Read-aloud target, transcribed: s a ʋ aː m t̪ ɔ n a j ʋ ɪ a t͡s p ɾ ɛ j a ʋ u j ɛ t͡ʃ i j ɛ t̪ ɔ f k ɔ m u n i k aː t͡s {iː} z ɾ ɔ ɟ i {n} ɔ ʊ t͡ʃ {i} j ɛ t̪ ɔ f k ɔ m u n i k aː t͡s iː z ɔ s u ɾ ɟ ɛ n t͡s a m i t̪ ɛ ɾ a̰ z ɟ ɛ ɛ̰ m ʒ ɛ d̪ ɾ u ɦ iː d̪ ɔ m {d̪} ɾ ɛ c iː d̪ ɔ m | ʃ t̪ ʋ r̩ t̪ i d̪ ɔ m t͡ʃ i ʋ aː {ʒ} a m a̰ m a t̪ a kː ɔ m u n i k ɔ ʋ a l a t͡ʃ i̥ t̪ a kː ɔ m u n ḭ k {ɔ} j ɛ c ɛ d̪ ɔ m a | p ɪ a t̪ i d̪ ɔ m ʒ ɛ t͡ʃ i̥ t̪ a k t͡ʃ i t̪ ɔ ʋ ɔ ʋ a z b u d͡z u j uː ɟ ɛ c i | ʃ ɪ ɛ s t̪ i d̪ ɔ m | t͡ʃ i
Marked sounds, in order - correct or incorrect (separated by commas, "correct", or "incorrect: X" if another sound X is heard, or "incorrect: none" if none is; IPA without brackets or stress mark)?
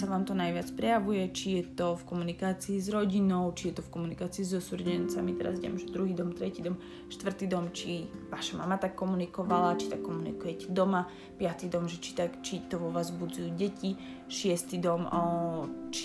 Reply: correct, correct, correct, incorrect: t̪, incorrect: ʃ, incorrect: u